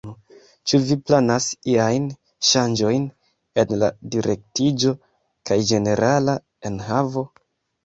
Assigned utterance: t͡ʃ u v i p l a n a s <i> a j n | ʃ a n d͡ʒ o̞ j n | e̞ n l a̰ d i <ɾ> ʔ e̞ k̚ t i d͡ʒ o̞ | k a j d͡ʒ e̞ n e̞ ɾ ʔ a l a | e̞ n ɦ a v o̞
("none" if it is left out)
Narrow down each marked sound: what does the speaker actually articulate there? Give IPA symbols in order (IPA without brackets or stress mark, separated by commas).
i, ɾ